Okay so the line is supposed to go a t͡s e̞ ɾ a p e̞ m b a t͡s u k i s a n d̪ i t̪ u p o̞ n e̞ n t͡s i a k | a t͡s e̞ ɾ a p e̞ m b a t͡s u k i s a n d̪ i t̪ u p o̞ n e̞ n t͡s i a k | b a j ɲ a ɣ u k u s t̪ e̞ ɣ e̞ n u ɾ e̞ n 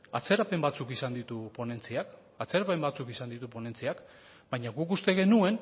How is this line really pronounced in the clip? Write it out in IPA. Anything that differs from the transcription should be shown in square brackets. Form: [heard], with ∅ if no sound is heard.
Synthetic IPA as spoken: a t͡s e̞ ɾ a p e̞ m b a t͡s u k i s a n d̪ i t̪ u p o̞ n e̞ n t͡s i a k | a t͡s e̞ ɾ a p e̞ m b a t͡s u k i s a n d̪ i t̪ u p o̞ n e̞ n t͡s i a k | b a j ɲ a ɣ u k u s t̪ e̞ ɣ e̞ n u [∅] e̞ n